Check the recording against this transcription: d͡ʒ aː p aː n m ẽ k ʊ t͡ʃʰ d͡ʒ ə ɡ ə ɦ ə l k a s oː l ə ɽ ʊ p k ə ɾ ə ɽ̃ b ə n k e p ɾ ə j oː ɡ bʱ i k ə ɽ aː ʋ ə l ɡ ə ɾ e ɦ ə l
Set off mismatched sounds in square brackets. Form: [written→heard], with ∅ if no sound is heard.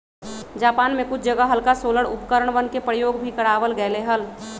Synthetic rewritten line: d͡ʒ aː p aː n m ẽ k ʊ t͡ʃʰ d͡ʒ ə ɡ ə ɦ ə l k a s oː l ə ɽ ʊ p k ə ɾ ə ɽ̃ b ə n k e p ɾ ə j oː ɡ bʱ i k ə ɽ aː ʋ ə l ɡ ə [ɾ→l] e ɦ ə l